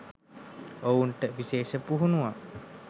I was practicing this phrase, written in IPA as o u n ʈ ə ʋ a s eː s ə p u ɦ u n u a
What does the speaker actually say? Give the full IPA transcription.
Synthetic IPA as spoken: o u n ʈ ə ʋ i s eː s ə p u ɦ u n u a